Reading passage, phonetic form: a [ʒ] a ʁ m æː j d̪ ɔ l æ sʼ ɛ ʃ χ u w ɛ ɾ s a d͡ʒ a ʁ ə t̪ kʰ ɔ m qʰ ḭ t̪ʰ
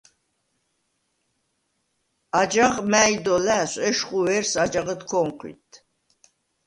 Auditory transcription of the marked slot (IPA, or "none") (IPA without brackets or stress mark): d͡ʒ